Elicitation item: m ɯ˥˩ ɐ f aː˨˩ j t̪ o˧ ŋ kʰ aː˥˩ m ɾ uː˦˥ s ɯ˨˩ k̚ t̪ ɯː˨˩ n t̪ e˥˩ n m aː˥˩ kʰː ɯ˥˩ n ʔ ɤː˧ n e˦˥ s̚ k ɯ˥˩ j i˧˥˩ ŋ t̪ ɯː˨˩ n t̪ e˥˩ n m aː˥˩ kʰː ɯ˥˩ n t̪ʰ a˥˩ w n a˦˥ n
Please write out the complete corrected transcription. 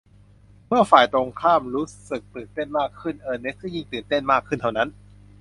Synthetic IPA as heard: m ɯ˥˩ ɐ f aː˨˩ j t̪ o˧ ŋ kʰ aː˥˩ m ɾ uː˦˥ s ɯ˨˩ k̚ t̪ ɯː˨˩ n t̪ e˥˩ n m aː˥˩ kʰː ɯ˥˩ n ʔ ɤː˧ n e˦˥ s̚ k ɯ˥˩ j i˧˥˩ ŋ t̪ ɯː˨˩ n t̪ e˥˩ n m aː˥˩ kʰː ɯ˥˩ n t̪ʰ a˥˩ w n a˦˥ n